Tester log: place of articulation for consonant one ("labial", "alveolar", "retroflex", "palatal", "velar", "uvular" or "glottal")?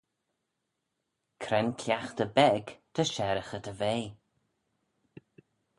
velar